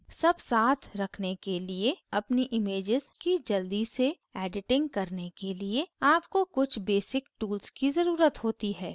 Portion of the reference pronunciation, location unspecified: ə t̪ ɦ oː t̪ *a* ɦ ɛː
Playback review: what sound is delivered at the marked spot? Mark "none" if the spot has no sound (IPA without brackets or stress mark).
i